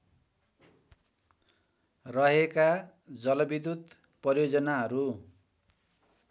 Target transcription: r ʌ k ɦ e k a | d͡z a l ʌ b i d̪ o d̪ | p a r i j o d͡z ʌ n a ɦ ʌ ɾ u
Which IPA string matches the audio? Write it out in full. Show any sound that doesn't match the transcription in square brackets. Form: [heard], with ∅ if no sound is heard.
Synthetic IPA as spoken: r ʌ [∅] ɦ e k a | d͡z [ʌ] l ʌ b i d̪ [u] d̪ | p [ʌ] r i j o d͡z ʌ n a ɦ ʌ ɾ u